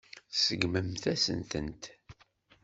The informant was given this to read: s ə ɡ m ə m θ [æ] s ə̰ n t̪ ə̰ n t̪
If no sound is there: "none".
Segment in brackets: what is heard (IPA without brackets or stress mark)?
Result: æ